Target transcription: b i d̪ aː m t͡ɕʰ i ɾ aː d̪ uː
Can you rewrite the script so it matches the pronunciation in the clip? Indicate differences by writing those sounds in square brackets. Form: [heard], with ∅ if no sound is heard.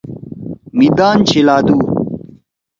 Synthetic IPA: [m] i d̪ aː [n] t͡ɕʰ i [l] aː d̪ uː